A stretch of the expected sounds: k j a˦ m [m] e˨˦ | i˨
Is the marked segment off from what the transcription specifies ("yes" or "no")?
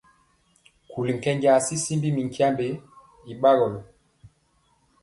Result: yes